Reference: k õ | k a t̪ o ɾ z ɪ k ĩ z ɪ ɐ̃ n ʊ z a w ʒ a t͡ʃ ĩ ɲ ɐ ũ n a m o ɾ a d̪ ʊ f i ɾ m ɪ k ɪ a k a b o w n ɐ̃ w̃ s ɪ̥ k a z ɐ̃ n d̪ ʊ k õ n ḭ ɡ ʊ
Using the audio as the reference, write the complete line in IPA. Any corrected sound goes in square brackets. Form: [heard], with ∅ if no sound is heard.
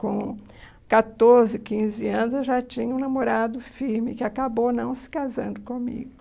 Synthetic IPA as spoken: k õ | k a t̪ o ɾ z ɪ k ĩ z ɪ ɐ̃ n ʊ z [e] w ʒ a t͡ʃ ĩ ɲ ɐ ũ n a m o ɾ a d̪ ʊ f i ɾ m ɪ k ɪ a k a b o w n ɐ̃ w̃ s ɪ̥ k a z ɐ̃ n d̪ ʊ k õ [m] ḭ ɡ ʊ